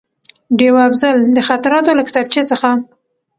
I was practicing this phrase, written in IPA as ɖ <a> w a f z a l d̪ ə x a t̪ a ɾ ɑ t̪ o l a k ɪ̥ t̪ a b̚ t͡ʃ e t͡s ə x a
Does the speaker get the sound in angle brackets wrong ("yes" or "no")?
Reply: yes